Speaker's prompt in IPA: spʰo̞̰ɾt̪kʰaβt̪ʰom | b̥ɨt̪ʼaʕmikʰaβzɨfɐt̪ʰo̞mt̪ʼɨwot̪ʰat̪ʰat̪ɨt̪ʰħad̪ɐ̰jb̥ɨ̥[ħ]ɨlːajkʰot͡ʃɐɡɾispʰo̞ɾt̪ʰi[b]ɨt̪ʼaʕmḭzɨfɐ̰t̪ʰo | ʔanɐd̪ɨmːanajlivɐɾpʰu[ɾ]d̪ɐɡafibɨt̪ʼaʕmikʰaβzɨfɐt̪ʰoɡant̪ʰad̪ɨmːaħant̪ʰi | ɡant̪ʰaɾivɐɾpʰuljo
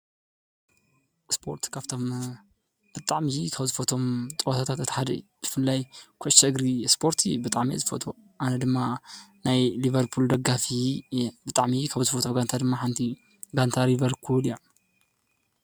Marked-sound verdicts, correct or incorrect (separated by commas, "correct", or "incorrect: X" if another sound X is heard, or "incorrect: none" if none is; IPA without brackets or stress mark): incorrect: f, correct, incorrect: l